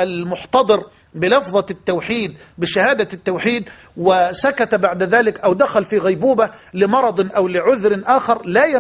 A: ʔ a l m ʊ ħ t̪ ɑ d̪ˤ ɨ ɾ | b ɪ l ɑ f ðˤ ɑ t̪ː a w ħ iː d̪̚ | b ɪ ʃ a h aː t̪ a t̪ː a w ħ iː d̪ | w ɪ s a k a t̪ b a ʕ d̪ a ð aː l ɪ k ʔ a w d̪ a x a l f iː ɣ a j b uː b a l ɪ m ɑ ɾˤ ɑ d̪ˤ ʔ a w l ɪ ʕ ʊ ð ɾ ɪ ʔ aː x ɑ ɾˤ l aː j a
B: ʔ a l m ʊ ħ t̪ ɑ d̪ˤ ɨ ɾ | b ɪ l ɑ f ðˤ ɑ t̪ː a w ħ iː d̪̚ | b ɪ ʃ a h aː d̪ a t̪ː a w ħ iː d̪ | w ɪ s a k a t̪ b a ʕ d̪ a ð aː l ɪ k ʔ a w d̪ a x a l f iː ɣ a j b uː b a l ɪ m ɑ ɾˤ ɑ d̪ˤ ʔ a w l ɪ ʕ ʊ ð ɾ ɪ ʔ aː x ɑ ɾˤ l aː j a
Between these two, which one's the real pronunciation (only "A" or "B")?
B